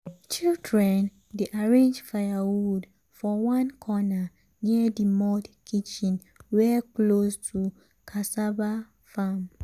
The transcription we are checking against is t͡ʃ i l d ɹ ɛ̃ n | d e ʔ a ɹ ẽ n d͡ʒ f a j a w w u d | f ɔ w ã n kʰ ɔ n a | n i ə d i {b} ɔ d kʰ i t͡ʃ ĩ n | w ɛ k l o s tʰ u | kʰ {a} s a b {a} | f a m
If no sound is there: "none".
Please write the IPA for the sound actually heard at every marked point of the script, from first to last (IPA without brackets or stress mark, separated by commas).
m, a, a